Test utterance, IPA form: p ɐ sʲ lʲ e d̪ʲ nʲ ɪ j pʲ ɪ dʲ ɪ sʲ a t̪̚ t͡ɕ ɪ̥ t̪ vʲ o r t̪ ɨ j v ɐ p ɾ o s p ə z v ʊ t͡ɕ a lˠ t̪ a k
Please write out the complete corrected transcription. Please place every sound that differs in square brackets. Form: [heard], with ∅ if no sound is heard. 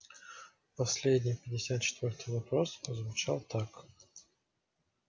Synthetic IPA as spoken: p ɐ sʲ lʲ e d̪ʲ nʲ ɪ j pʲ ɪ dʲ ɪ sʲ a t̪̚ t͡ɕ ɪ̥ t̪ vʲ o r t̪ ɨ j v ɐ p ɾ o s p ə z v ʊ t͡ɕ a lˠ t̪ a k